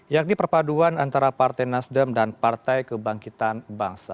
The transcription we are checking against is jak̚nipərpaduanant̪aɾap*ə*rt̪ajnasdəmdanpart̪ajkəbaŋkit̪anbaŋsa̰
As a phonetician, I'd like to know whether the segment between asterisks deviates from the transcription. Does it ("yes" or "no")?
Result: yes